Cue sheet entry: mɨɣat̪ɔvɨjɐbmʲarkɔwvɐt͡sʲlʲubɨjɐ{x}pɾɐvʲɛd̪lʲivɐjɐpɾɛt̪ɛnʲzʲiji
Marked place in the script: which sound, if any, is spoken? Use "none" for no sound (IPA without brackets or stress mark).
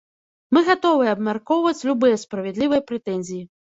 s